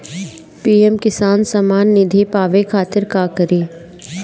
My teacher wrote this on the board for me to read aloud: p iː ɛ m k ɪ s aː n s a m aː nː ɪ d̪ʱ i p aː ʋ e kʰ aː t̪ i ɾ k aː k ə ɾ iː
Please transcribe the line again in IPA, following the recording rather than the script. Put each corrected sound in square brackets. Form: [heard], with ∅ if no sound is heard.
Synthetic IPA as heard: p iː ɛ m k ɪ s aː n s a m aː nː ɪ d̪ʱ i p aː ʋ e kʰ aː t̪ [ɪ] ɾ k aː k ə ɾ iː

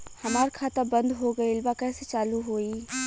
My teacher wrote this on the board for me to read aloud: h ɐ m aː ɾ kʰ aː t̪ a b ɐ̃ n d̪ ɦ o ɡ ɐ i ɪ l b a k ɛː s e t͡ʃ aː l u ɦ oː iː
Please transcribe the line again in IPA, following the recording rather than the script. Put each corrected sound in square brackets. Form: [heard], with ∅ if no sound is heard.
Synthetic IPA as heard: h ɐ m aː ɾ kʰ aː t̪ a b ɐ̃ n d̪ ɦ o ɡ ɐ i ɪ l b a k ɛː s e t͡ʃ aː l u ɦ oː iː

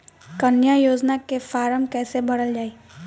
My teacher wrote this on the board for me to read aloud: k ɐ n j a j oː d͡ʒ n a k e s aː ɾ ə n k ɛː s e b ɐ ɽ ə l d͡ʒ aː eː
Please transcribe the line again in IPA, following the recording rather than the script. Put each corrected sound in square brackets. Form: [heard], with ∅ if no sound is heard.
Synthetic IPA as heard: k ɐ n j a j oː d͡ʒ n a k e [f] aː ɾ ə [m] k ɛː s e b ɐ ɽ ə l d͡ʒ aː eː

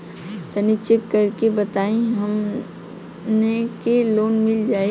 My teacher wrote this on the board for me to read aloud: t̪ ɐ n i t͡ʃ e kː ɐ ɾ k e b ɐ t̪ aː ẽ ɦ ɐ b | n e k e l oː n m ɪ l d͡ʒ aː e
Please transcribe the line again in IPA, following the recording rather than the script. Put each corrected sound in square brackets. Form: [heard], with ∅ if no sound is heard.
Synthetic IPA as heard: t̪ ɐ n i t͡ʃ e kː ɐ ɾ k e b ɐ t̪ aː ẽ ɦ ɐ [m] | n e k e l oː n m ɪ l d͡ʒ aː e

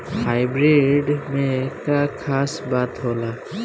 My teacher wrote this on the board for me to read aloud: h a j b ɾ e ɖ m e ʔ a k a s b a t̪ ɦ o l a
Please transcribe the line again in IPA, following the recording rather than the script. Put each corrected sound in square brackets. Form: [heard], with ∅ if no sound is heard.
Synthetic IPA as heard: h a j b ɾ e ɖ m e [k] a [kʰ] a s b a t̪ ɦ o l a

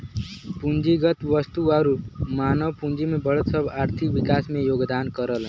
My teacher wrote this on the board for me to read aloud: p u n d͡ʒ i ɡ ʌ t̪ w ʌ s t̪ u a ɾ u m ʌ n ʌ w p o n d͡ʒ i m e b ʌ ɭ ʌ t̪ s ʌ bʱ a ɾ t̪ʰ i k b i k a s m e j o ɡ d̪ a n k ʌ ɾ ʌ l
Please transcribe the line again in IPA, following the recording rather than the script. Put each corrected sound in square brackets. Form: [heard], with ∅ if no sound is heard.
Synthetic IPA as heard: p u n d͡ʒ i ɡ ʌ t̪ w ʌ s t̪ u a ɾ u m [a] n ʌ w p [u] n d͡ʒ i m e b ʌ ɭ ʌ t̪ s ʌ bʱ a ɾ t̪ʰ i k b i k a s m e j o ɡ d̪ a n k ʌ ɾ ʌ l

